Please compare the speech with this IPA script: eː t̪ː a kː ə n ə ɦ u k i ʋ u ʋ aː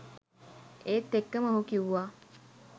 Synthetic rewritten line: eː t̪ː e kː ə m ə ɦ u k i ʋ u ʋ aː

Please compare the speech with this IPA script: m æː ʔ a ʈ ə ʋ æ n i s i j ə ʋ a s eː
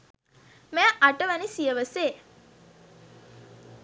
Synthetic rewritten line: m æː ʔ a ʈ ə ʋ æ n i s i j ə ʋ ə s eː

